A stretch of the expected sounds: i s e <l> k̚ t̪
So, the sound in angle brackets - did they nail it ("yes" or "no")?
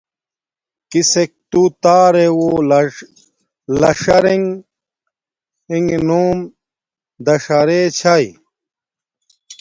no